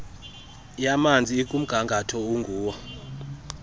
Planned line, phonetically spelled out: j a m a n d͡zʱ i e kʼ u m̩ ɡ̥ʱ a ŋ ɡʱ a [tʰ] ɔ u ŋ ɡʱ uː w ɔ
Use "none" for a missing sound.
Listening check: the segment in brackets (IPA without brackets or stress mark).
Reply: tʰ